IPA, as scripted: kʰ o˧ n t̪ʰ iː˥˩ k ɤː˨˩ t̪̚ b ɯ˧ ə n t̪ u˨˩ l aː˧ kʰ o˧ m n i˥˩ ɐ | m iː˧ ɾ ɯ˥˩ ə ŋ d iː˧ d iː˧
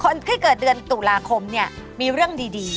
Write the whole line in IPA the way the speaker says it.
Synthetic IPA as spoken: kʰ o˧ n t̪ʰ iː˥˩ k ɤː˨˩ t̪̚ d ɯ˧ ə n t̪ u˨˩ l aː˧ kʰ o˧ m n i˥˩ ɐ | m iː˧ ɾ ɯ˥˩ ə ŋ d iː˧ d iː˧